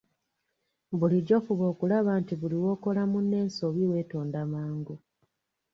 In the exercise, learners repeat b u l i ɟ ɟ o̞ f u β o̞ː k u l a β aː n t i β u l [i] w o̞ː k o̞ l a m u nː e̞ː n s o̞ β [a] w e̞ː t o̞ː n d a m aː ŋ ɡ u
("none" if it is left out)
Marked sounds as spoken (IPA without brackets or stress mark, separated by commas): i, i